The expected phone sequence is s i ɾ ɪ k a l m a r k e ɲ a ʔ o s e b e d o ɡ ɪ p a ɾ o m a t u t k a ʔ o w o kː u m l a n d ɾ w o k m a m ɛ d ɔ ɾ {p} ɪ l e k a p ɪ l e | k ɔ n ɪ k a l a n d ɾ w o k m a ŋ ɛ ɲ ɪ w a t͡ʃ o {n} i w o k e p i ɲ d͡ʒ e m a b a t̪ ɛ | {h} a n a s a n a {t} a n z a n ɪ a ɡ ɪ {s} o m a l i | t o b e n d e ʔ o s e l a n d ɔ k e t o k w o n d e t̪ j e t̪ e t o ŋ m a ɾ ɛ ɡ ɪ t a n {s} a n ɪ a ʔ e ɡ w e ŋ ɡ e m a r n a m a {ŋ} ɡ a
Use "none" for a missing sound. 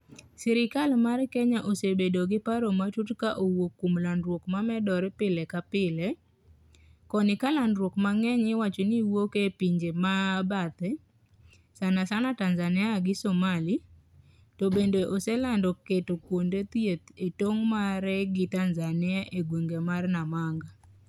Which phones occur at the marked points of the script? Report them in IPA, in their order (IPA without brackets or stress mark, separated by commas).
p, n, s, t, s, z, ŋ